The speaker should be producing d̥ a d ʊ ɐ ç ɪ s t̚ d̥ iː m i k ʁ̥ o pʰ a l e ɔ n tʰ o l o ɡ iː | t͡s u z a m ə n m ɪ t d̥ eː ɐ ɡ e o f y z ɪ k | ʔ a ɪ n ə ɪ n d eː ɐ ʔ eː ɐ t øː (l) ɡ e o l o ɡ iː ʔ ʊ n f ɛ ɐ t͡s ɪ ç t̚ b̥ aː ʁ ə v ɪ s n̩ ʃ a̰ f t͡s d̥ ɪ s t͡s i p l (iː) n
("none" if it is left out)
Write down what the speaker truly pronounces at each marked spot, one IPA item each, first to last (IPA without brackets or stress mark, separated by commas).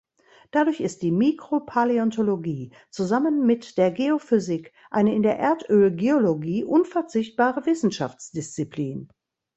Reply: l, iː